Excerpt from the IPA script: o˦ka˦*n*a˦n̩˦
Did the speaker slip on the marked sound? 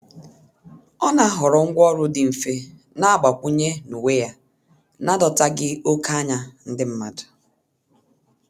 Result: yes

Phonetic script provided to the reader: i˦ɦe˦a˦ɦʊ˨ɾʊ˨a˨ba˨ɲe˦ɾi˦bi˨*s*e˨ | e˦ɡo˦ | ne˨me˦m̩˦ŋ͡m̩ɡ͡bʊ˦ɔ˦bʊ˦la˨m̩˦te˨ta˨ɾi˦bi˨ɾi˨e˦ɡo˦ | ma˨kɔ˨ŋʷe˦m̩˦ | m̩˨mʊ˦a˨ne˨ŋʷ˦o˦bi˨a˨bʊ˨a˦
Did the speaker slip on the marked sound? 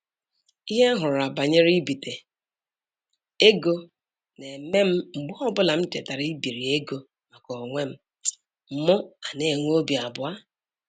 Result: yes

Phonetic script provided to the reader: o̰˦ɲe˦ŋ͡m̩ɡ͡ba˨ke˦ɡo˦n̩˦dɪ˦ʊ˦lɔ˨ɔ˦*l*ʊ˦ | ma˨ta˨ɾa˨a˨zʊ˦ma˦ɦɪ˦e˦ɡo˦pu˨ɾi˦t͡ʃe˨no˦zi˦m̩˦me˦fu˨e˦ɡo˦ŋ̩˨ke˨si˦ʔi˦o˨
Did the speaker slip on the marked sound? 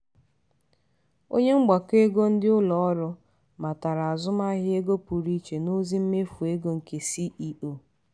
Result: yes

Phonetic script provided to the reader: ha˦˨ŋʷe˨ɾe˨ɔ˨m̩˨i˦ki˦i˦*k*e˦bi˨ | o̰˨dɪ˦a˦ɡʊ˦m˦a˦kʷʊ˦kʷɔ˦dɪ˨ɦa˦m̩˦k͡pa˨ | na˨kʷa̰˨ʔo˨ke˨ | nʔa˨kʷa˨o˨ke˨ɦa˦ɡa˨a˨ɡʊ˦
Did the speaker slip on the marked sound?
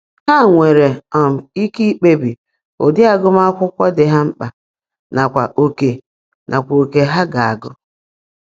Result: yes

